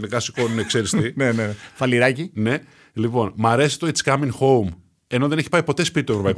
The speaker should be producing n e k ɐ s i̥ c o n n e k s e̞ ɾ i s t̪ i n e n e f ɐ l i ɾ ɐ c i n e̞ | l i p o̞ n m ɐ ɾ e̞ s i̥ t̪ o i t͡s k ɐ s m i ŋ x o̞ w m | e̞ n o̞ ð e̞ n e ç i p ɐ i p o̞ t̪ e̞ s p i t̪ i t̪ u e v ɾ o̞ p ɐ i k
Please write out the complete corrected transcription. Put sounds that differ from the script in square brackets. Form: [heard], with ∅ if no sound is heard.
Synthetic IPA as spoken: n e k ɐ s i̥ [k] o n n e k s e̞ ɾ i s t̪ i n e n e f ɐ l i ɾ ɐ c i n e̞ | l i p o̞ n m ɐ ɾ e̞ s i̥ t̪ o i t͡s k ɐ [∅] m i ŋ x o̞ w m | e̞ n o̞ ð e̞ n e ç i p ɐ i p o̞ t̪ e̞ s p i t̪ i t̪ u e v ɾ o̞ p ɐ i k